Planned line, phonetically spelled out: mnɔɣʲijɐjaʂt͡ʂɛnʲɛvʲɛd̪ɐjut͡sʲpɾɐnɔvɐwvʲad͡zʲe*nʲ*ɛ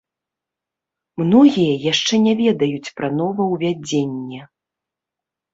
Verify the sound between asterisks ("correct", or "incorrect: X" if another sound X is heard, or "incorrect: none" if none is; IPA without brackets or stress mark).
incorrect: nʲː